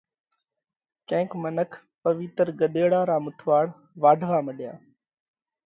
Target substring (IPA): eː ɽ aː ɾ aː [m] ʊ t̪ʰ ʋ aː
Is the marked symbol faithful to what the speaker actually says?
yes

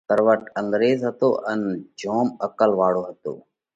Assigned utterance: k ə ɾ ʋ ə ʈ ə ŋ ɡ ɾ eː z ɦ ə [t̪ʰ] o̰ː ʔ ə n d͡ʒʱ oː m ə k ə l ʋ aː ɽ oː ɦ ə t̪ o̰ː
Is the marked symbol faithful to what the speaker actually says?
no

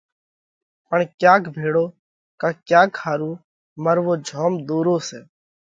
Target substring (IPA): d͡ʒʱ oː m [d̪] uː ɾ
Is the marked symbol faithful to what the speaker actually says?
yes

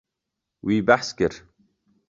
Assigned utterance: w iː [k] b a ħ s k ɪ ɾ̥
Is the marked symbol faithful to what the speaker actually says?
no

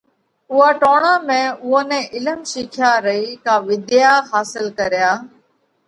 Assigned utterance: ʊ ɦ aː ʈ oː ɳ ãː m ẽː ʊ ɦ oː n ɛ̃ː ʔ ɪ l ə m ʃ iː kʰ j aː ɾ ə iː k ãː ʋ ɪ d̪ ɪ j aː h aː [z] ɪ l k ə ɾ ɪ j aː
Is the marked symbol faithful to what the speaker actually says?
no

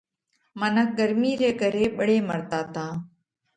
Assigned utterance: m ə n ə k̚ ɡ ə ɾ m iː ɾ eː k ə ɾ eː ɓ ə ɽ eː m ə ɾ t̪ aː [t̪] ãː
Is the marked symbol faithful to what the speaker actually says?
yes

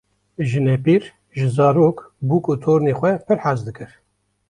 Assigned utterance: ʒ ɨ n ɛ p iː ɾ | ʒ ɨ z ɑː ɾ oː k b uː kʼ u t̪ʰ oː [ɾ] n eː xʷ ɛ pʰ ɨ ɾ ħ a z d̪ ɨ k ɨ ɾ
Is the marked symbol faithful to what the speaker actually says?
yes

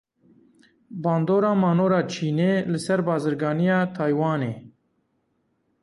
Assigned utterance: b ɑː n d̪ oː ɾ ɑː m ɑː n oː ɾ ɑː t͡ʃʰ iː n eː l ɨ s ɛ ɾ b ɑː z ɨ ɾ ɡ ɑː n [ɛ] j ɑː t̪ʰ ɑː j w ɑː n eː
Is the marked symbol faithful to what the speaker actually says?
no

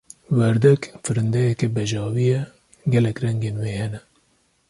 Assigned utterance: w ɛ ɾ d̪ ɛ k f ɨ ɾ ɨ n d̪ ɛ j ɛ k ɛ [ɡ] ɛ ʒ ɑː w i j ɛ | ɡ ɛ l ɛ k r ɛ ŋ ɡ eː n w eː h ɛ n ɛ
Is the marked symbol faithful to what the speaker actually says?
no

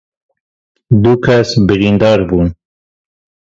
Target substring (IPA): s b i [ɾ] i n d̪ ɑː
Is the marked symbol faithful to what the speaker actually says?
yes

